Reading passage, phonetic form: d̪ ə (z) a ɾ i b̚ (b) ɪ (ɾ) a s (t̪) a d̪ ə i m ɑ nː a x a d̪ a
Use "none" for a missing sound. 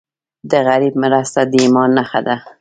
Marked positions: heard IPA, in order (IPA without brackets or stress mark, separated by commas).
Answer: ɣ, m, ɾ, t̪